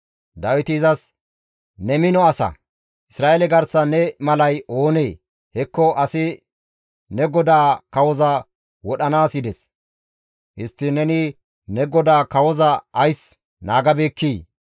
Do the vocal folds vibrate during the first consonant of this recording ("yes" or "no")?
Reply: yes